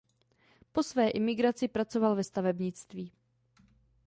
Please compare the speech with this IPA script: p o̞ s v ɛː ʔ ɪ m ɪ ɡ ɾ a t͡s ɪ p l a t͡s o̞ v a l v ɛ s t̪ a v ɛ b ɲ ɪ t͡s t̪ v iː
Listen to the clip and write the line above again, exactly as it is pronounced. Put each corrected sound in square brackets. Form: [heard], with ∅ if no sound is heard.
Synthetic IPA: p o̞ s v ɛː ʔ ɪ m ɪ ɡ ɾ a t͡s ɪ p [ɾ] a t͡s o̞ v a l v ɛ s t̪ a v ɛ b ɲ ɪ t͡s t̪ v iː